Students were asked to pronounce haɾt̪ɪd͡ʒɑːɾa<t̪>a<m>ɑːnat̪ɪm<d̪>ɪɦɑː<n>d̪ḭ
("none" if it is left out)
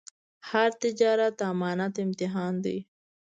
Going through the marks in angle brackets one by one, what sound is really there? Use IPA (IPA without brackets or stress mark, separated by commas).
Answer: t̪, m, t̪, n